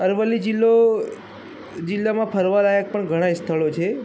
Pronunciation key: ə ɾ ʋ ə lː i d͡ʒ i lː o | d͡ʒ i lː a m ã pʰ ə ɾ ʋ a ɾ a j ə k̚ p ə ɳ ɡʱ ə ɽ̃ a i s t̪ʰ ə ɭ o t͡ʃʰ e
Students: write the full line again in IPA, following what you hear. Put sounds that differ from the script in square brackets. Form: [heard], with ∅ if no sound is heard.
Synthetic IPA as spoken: ə ɾ ʋ ə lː i d͡ʒ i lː o | d͡ʒ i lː a m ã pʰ ə ɾ ʋ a ɾ a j ə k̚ p ə ɳ ɡʱ ə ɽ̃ a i s t̪ʰ ə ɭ o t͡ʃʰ e